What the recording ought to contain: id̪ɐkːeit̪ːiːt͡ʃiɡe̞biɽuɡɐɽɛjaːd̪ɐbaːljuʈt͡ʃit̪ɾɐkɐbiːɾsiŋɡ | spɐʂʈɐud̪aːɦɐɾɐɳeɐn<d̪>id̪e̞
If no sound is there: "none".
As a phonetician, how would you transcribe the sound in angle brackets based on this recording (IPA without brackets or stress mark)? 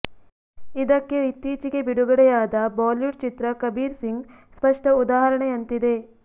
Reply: t̪